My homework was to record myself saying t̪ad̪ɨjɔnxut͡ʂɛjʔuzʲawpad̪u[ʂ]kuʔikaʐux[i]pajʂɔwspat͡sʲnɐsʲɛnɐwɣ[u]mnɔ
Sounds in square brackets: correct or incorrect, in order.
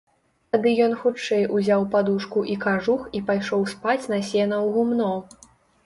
correct, correct, correct

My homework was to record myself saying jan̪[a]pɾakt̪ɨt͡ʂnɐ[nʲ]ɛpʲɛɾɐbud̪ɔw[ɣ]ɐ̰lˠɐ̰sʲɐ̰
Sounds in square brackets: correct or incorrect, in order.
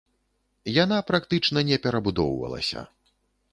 correct, correct, incorrect

